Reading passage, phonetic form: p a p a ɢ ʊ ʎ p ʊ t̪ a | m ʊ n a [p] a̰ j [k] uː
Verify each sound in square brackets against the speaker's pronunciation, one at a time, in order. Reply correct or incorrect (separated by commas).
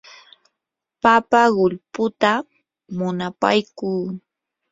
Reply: correct, correct